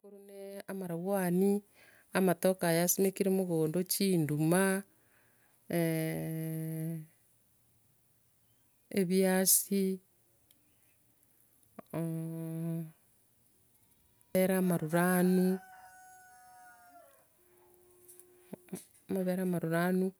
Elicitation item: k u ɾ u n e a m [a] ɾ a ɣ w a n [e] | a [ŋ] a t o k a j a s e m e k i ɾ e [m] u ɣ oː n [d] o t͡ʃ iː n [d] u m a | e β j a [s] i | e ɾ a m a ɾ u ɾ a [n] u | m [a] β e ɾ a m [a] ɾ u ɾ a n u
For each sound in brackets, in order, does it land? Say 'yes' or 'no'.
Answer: yes, no, no, yes, yes, yes, yes, yes, yes, yes

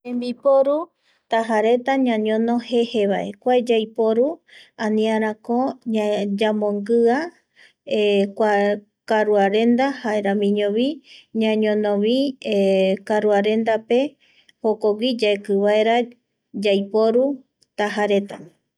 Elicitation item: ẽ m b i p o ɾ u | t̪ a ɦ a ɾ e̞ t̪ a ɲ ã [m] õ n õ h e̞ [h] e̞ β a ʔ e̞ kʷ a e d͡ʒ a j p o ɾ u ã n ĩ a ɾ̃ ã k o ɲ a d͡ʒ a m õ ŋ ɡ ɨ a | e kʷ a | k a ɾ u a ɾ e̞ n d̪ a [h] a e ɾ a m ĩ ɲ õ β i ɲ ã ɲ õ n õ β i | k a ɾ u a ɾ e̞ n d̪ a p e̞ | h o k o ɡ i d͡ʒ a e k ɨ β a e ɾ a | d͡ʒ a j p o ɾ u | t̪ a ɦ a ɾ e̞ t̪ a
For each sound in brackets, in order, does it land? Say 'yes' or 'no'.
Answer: no, yes, yes

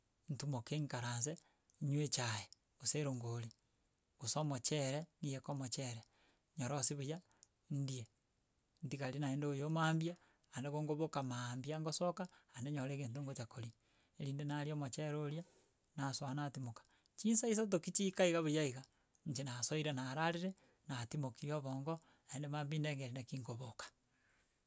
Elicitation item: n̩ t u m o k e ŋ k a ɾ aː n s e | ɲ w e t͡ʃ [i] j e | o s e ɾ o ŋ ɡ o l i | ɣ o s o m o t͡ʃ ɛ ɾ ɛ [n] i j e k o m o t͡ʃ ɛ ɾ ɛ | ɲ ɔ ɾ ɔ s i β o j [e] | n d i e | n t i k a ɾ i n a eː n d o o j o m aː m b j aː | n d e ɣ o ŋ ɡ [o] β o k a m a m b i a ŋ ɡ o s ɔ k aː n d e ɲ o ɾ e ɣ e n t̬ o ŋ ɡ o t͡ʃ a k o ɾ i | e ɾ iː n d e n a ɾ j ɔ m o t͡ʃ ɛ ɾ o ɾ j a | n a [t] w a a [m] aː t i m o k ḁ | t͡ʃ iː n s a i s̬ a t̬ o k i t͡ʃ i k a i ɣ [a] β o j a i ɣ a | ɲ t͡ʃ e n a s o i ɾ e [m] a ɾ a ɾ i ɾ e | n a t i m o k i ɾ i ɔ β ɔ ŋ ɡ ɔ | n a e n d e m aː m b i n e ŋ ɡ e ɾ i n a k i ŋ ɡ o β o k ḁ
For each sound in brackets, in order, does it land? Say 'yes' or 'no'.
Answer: no, yes, no, yes, no, no, yes, no

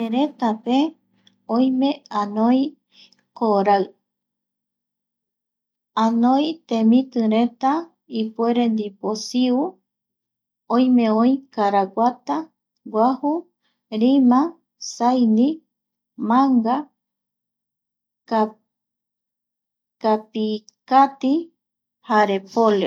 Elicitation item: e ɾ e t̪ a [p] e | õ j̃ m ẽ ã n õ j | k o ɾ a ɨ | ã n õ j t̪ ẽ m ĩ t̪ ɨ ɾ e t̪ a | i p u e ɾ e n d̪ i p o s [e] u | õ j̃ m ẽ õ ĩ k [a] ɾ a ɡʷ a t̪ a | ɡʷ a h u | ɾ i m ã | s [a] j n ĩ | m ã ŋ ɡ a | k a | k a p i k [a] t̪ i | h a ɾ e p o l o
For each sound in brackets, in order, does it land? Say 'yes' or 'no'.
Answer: yes, no, yes, yes, yes

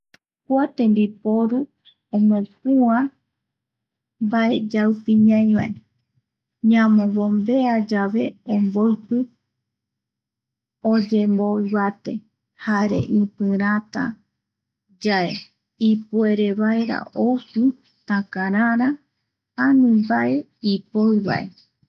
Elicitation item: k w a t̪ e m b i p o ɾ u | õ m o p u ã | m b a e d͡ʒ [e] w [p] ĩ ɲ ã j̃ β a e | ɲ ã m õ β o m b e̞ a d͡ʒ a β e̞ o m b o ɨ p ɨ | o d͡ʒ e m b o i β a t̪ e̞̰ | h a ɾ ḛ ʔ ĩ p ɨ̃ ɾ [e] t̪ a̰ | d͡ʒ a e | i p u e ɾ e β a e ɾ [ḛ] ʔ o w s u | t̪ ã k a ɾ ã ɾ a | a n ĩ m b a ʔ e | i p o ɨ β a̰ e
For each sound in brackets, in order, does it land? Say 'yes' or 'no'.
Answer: no, yes, no, no

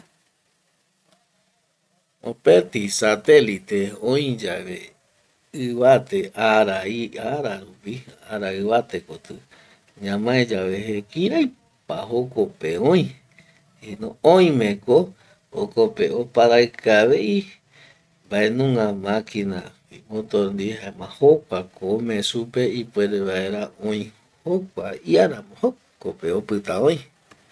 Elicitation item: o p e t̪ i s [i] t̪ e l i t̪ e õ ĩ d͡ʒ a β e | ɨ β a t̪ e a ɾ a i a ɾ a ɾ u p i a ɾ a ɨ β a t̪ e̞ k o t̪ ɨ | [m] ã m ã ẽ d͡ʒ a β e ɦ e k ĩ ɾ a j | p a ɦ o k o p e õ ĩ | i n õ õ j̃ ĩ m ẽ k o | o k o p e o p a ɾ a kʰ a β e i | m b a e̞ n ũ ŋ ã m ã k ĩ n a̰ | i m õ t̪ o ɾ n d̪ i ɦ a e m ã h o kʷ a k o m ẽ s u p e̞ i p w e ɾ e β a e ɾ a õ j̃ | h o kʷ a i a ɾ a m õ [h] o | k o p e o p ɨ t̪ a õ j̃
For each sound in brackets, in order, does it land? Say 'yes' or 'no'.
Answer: no, no, yes

